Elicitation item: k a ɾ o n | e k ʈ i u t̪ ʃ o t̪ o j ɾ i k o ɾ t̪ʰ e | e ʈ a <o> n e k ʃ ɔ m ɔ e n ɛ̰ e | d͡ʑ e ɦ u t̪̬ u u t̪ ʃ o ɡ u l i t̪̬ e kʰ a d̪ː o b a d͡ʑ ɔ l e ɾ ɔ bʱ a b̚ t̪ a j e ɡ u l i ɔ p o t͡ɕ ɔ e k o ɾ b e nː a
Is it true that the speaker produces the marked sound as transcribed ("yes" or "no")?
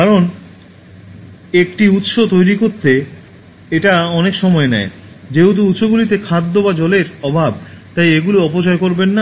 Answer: no